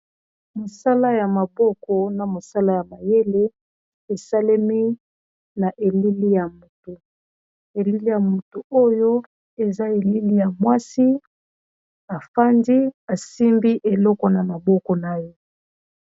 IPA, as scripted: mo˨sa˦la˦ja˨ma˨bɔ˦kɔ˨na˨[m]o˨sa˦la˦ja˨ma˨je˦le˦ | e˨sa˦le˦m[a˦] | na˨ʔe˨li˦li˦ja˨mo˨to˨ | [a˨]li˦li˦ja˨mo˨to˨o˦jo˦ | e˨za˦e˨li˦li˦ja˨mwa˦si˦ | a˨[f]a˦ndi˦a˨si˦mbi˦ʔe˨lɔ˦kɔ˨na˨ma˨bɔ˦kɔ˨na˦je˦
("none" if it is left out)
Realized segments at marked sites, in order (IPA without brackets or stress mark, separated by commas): m, i˦, e˨, f